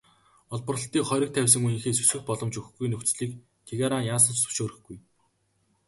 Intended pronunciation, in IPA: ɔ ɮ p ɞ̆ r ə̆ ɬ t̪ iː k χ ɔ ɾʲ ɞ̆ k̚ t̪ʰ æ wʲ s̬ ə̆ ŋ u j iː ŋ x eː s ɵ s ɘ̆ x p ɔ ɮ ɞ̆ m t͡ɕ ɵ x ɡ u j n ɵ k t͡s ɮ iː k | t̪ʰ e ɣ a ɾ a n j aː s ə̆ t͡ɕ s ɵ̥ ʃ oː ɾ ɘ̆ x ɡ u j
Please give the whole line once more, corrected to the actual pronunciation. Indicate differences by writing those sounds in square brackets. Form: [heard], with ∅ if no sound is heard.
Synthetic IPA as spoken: ɔ ɮ p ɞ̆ r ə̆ ɬ t̪ iː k χ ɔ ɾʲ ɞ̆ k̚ t̪ʰ æ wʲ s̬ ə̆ ŋ u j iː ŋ x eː s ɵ s ɘ̆ x p ɔ ɮ ɞ̆ m t͡ɕ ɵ x ɡ u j n ɵ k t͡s ɮ iː k | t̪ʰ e ɣ a ɾ a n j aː s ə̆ t͡ɕ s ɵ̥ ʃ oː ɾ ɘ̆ x ɡ u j